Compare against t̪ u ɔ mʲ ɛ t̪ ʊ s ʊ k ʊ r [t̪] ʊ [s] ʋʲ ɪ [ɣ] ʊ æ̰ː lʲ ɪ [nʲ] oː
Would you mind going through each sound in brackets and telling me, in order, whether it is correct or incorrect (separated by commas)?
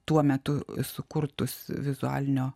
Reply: correct, correct, incorrect, correct